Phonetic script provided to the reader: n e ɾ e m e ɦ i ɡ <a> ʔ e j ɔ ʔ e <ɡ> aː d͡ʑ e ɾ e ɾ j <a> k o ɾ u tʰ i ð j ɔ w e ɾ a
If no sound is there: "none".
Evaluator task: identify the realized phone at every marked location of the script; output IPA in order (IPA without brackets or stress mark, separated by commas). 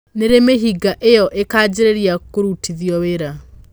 a, k, a